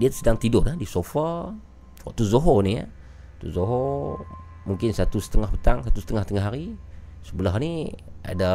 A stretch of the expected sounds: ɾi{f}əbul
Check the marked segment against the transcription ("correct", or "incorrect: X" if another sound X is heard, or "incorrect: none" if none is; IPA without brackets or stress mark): incorrect: s